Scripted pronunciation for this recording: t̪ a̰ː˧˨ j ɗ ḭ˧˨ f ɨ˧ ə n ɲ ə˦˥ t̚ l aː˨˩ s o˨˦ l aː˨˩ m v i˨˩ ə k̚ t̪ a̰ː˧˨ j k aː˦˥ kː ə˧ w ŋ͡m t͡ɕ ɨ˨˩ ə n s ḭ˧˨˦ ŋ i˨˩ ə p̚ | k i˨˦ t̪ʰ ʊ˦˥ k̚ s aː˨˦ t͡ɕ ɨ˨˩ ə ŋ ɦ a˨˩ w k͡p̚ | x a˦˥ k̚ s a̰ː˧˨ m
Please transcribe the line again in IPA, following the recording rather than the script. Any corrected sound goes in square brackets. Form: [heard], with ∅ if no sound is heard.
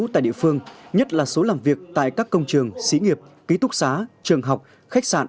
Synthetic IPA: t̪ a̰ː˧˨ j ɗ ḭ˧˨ f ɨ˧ ə [ŋ] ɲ ə˦˥ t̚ l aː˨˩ s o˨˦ l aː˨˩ m v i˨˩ ə k̚ t̪ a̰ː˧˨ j k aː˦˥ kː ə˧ w ŋ͡m t͡ɕ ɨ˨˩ ə [ŋ] s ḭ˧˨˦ ŋ i˨˩ ə p̚ | k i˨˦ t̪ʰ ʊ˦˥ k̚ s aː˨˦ t͡ɕ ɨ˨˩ ə ŋ ɦ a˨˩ w k͡p̚ | x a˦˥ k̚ s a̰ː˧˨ [n]